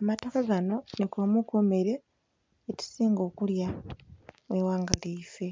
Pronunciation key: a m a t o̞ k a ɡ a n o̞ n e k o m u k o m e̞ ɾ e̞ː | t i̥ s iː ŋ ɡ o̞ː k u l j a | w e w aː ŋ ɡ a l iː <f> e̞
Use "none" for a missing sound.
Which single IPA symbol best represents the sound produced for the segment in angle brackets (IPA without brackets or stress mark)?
f